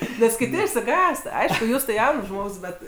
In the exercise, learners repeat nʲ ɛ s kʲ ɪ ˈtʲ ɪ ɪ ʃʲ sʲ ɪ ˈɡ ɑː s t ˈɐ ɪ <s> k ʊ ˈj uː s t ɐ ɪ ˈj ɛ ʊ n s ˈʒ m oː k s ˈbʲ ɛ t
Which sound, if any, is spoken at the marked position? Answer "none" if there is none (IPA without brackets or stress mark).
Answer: ʃ